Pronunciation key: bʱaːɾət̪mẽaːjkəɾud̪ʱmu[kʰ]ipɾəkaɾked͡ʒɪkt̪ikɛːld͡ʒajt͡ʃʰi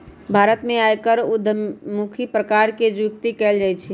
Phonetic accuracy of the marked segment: correct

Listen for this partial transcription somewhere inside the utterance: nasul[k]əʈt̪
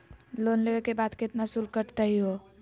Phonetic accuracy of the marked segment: correct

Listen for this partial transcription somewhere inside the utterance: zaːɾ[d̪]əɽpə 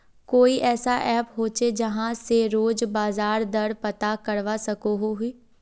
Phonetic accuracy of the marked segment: correct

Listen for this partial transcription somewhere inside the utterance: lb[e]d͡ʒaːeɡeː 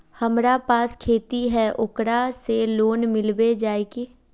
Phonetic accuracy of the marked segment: correct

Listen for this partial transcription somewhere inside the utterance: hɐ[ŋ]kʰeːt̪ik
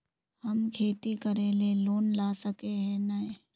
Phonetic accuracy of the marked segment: incorrect: m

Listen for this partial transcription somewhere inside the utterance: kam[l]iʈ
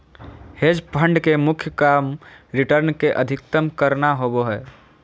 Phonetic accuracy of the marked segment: incorrect: ɾ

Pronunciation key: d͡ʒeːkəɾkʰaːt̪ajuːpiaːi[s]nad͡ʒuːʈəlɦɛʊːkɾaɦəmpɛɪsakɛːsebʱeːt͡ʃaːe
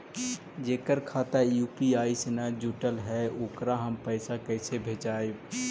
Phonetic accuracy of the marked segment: correct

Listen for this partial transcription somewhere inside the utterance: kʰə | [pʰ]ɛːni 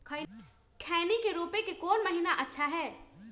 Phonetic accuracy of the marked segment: incorrect: kʰ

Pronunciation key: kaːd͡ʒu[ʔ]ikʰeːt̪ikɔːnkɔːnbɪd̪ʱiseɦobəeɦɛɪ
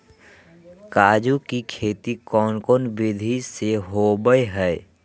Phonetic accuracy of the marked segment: incorrect: k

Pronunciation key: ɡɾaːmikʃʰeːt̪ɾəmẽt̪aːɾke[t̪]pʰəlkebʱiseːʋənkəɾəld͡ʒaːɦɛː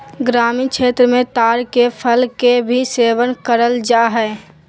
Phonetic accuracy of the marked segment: incorrect: none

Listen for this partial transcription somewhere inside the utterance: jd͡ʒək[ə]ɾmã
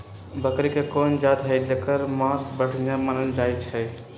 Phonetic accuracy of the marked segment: correct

